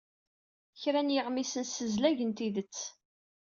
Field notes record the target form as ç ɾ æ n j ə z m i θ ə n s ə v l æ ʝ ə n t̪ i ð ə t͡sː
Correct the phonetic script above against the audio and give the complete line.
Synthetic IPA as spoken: ç ɾ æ n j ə ʁ m i s ə n s ə z l æ ʝ ə n t̪ i ð ə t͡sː